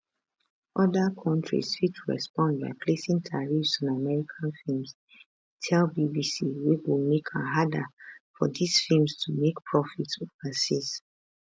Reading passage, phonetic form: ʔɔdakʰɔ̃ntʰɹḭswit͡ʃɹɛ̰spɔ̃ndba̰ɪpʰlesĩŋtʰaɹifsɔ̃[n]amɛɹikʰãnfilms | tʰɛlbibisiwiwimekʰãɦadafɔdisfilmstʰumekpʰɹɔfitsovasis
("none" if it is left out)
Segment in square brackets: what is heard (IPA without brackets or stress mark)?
n